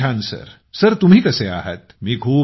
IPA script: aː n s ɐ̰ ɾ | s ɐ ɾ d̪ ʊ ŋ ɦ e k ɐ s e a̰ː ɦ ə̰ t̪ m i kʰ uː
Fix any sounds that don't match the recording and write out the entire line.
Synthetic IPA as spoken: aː n s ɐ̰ ɾ | s ɐ ɾ t̪ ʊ m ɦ i k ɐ s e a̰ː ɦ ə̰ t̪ m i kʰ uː